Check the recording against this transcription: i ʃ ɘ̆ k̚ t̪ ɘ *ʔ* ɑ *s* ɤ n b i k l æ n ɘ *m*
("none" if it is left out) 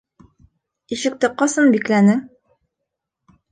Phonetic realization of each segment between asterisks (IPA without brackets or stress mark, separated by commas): q, s, ŋ